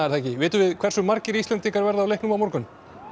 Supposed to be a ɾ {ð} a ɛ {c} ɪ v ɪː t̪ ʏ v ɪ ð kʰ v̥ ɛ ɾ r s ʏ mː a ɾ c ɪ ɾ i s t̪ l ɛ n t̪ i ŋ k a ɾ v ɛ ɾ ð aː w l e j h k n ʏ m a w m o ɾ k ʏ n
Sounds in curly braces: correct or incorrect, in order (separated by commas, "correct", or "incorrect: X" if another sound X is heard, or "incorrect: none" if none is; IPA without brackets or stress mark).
incorrect: θ, correct